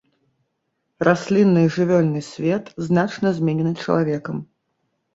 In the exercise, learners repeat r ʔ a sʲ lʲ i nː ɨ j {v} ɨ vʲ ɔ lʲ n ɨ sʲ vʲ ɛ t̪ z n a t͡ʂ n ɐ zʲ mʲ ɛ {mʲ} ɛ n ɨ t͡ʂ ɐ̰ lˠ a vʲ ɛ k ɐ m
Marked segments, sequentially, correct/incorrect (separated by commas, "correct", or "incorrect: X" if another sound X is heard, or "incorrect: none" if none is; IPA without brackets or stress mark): incorrect: ʐ, incorrect: nʲ